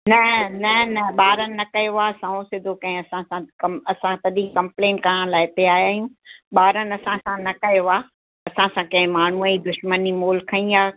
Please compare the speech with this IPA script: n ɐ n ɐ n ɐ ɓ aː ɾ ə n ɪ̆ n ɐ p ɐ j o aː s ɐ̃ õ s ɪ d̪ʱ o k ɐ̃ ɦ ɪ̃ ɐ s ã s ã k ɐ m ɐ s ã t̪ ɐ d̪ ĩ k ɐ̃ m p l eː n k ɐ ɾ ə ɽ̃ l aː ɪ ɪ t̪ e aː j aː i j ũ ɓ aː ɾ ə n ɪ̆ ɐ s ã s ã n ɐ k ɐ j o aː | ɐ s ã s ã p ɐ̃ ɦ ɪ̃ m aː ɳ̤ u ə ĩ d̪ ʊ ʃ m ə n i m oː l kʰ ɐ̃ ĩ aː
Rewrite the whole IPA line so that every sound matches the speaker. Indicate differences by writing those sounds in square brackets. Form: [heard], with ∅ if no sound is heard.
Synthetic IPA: n ɐ n ɐ n ɐ ɓ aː ɾ ə n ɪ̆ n ɐ [k] ɐ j o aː s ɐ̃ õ s ɪ d̪ʱ o k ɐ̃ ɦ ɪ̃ ɐ s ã s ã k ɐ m ɐ s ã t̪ ɐ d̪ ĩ k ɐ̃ m p l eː n k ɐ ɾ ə ɽ̃ l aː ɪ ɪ t̪ e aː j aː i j ũ ɓ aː ɾ ə n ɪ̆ ɐ s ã s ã n ɐ k ɐ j o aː | ɐ s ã s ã [k] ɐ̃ ɦ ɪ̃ m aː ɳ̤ u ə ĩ d̪ ʊ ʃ m ə n i m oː l kʰ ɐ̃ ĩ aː